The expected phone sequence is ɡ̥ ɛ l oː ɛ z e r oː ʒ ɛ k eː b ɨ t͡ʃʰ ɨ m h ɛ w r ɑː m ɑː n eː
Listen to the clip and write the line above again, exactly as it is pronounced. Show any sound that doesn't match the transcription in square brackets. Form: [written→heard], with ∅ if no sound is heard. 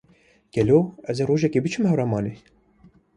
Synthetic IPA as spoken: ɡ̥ ɛ l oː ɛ z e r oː ʒ ɛ k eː b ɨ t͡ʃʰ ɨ m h ɛ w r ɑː m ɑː n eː